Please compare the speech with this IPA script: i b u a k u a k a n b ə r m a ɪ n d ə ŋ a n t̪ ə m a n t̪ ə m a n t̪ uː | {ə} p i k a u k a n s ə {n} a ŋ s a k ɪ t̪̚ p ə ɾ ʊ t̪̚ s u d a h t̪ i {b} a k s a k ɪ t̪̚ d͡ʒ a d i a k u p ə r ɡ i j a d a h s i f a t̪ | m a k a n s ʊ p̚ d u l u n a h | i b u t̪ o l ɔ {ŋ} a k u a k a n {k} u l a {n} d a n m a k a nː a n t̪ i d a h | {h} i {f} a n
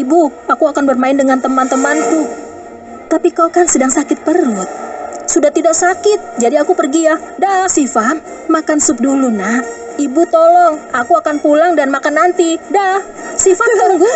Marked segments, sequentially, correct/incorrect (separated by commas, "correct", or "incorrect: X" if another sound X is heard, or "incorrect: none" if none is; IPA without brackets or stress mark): incorrect: a, incorrect: d, incorrect: d, correct, incorrect: p, incorrect: ŋ, incorrect: s, correct